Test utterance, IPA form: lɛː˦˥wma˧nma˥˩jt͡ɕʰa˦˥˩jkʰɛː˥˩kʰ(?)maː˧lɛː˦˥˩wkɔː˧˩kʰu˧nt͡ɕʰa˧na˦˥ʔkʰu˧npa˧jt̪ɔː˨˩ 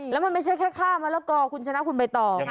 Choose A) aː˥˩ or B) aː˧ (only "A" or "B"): A